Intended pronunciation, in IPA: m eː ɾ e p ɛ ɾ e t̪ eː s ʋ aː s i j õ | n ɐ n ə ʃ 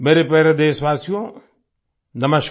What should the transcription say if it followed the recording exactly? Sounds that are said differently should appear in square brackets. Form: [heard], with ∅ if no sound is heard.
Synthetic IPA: m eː ɾ e p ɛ ɾ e [d̪] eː s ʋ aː s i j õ | n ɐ [m] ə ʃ

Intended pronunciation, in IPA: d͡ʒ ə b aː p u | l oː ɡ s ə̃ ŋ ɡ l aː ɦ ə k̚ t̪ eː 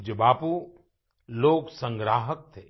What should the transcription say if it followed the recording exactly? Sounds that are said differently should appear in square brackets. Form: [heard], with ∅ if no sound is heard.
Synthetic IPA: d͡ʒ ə b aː p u | l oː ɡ s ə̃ ŋ ɡ [ɾ] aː ɦ ə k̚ [t̪ʰ] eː

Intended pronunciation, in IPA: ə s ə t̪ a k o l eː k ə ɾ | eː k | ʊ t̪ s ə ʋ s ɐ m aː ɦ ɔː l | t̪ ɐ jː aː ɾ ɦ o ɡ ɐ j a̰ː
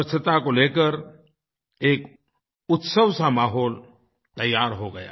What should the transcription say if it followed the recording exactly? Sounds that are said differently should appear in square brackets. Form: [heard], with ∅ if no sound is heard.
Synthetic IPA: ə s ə t̪ a k o l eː k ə ɾ | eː k | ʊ t̪ s ə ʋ s [a] m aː ɦ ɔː l | t̪ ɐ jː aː ɾ ɦ o ɡ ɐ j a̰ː

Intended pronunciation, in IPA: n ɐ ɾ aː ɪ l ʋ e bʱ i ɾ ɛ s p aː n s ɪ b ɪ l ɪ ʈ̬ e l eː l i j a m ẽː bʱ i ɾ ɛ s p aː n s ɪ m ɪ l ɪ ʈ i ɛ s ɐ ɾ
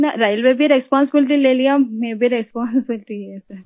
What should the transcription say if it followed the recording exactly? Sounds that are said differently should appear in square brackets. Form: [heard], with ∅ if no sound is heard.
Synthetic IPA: n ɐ ɾ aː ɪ l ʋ e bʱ i ɾ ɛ s p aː n s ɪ b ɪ l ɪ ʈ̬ [i] l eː l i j a m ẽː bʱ i ɾ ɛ s p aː n s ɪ [b] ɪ l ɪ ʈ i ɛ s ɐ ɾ

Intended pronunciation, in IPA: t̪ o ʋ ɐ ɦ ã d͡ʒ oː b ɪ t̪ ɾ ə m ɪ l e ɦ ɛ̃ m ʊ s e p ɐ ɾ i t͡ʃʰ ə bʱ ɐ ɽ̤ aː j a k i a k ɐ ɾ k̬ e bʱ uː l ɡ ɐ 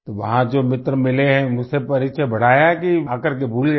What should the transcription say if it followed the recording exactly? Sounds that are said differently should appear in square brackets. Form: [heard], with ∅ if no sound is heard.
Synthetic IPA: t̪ o ʋ ɐ ɦ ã d͡ʒ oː [m] ɪ t̪ ɾ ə m ɪ l e ɦ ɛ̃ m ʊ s e p ɐ ɾ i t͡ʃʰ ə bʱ ɐ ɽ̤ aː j a k i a k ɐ ɾ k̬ e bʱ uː l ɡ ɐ

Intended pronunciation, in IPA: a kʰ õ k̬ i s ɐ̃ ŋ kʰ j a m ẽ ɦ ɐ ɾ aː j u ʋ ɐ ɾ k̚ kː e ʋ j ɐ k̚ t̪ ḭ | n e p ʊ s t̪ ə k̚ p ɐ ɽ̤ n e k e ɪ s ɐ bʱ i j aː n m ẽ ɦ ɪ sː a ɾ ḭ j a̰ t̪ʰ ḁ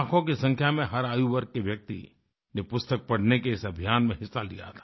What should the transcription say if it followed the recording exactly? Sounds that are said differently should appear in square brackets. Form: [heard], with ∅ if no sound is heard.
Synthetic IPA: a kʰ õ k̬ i s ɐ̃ ŋ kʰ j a m ẽ ɦ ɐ ɾ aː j u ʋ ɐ ɾ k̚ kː e ʋ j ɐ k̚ t̪ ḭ | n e p ʊ s t̪ ə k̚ p ɐ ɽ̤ n e k e ɪ s ɐ bʱ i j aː n m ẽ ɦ ɪ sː a [l] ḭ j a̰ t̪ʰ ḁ

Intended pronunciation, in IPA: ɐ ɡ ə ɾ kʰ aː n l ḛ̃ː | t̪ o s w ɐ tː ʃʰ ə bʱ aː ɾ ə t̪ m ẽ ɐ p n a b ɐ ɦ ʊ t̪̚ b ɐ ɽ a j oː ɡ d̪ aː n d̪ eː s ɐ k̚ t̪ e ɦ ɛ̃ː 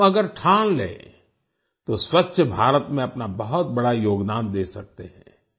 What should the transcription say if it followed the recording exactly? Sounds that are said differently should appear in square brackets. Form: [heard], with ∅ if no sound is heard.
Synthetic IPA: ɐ ɡ ə ɾ [ʈʰ] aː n l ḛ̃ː | t̪ o s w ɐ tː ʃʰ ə bʱ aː ɾ ə t̪ m ẽ ɐ p n a b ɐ ɦ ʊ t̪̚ b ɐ ɽ a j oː ɡ d̪ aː n d̪ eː s ɐ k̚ t̪ e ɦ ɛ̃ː

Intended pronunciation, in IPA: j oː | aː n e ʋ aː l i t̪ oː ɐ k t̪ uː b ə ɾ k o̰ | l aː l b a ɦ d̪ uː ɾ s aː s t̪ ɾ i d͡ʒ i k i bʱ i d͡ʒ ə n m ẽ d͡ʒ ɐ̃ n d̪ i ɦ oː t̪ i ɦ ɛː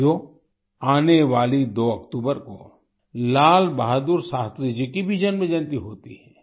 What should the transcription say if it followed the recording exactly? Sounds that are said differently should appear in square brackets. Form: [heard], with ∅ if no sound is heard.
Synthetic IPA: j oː | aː n e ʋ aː l i [d̪] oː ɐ k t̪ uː b ə ɾ k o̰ | l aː l b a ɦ d̪ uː ɾ s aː s t̪ ɾ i d͡ʒ i k i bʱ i d͡ʒ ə n m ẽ d͡ʒ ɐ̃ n [t̪] i ɦ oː t̪ i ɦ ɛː

